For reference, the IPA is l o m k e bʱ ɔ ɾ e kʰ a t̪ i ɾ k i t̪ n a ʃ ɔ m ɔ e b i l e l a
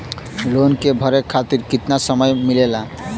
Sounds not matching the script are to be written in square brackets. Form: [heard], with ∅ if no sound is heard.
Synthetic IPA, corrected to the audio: l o [n] k e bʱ ɔ ɾ e kʰ a t̪ i ɾ k i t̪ n a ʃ ɔ m ɔ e [m] i l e l a